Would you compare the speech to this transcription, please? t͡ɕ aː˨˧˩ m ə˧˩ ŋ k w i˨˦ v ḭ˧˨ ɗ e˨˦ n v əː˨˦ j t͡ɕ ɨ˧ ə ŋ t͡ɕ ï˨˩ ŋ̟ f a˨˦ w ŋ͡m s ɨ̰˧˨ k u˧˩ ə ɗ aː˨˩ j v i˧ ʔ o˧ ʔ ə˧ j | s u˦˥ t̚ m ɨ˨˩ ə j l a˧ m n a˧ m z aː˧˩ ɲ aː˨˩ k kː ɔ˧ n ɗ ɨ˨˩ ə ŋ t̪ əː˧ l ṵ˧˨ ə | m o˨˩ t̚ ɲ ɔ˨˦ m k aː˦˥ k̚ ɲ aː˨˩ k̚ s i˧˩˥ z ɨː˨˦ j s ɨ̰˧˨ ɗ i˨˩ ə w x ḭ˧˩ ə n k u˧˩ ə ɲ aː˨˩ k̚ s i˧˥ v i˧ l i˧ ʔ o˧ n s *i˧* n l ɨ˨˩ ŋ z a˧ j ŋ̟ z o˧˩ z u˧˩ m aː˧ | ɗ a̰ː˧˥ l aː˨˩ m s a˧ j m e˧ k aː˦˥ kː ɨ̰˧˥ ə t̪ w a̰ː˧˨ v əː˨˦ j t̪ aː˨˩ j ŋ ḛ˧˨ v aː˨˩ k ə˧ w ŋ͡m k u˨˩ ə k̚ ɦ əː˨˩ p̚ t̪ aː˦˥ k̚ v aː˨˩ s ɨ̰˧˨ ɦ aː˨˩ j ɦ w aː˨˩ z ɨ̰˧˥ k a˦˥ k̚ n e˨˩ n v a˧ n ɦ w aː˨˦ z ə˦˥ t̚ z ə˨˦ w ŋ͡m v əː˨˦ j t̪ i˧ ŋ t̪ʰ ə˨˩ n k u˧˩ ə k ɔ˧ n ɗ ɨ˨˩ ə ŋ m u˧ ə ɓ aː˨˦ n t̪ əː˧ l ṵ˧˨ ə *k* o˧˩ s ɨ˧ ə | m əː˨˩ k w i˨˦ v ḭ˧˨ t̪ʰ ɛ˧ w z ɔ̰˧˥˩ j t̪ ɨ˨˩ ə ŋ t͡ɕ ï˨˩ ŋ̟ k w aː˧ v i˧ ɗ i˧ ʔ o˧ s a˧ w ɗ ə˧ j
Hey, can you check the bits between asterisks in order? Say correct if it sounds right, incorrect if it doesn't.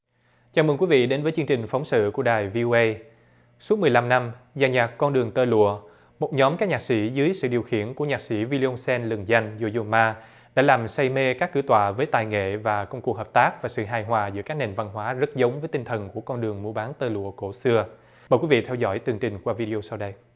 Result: incorrect: ɛ˧, correct

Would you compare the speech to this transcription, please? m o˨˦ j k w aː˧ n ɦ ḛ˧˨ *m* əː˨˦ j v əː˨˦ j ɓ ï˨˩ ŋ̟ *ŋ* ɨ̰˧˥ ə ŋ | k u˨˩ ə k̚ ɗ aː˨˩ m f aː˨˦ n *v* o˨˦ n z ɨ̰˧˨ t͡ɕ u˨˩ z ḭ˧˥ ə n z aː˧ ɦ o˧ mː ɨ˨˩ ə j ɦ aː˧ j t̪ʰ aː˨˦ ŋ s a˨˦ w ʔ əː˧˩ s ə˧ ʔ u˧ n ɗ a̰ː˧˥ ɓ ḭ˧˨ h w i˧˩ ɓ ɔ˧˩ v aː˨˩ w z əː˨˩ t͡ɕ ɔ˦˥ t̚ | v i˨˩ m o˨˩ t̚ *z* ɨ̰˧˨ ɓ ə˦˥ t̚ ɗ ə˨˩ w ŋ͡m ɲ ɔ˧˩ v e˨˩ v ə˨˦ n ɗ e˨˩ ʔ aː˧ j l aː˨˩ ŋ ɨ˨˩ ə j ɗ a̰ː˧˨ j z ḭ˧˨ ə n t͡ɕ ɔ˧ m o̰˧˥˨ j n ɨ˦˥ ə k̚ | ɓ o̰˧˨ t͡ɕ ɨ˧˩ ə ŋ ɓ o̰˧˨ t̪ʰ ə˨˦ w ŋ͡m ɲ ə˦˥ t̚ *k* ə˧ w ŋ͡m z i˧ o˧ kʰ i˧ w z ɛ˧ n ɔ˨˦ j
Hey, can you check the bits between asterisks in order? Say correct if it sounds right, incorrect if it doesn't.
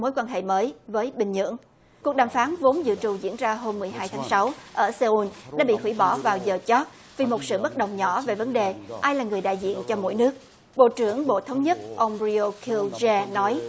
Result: correct, incorrect: ɲ, correct, incorrect: s, incorrect: ʔ

